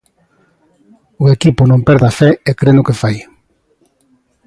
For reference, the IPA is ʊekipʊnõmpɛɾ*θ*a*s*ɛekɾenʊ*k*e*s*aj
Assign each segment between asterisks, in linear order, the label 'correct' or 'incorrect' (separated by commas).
incorrect, incorrect, correct, incorrect